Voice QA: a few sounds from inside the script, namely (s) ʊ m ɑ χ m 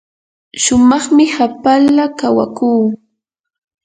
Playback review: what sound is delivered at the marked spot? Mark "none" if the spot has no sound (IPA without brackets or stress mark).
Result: ʃ